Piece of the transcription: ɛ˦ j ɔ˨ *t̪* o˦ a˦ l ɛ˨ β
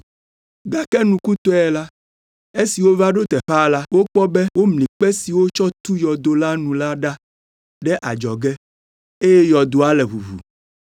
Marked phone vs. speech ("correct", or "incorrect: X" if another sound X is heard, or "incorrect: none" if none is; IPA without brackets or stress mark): incorrect: d̪